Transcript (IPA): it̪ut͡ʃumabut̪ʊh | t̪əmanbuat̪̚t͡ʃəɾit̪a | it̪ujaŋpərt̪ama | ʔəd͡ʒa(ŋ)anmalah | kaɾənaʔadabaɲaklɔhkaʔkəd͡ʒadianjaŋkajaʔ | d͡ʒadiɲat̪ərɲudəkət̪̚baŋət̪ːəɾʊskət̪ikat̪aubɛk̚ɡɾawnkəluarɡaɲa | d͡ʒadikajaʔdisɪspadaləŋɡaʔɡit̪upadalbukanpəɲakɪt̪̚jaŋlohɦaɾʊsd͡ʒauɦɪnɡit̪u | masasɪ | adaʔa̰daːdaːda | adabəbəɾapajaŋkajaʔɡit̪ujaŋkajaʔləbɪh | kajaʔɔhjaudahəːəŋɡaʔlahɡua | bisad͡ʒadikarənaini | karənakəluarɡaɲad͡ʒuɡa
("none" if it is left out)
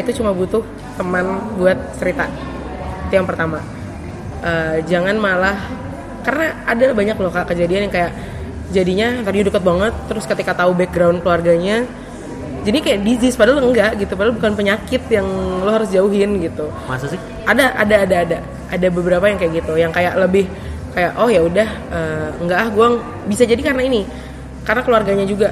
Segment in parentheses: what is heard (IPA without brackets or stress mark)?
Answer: ŋ